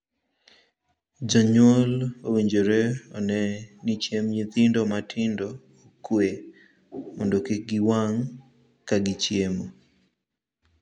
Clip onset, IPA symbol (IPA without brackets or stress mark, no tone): d͡ʒ